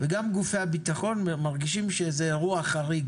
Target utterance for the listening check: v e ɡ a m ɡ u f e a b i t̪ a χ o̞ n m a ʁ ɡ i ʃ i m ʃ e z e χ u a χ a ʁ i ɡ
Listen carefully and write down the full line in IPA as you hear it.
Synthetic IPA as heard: v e ɡ a m ɡ u f e a b i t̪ a χ o̞ n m a ʁ ɡ i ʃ i m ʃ e z e ʁ u a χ a ʁ i ɡ